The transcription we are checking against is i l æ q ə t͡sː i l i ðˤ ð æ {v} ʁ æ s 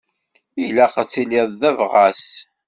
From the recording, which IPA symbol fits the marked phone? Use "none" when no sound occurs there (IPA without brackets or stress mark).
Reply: v